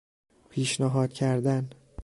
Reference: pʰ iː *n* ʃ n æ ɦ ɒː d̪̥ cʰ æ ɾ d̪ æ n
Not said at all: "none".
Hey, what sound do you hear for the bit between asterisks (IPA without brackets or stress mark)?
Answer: none